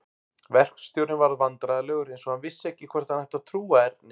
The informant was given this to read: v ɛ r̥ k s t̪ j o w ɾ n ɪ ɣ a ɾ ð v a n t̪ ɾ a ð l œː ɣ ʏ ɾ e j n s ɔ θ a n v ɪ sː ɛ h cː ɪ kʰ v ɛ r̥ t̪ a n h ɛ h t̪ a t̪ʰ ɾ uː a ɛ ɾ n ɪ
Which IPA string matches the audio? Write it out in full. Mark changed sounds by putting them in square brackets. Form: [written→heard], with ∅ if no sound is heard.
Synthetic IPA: v ɛ r̥ k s t̪ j o w ɾ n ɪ [ɣ→v] a ɾ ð v a n t̪ ɾ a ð l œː ɣ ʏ ɾ e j n s ɔ [θ→h] a n v ɪ sː ɛ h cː ɪ kʰ v ɛ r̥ t̪ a n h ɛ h t̪ a t̪ʰ ɾ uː a ɛ ɾ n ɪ